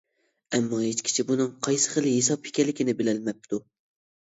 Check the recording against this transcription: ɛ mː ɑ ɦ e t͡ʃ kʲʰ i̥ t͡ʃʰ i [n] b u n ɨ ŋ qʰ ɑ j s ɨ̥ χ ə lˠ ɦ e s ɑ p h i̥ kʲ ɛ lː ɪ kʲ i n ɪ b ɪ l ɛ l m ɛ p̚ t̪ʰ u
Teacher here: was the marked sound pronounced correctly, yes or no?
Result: no